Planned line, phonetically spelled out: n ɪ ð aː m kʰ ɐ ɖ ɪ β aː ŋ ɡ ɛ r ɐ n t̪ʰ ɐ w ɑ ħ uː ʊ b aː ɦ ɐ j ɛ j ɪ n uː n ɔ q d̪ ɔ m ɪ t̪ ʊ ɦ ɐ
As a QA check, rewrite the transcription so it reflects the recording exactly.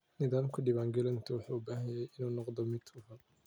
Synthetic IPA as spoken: n ɪ ð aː m kʰ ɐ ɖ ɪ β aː ŋ ɡ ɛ l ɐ n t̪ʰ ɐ w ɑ ħ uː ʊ b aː ɦ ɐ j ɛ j ɪ n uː n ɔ q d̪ ɔ m ɪ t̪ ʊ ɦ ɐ